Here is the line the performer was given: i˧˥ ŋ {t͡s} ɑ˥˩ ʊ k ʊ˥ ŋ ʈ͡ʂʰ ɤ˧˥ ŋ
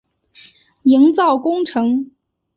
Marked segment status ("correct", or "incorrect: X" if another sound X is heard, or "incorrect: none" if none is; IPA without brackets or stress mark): correct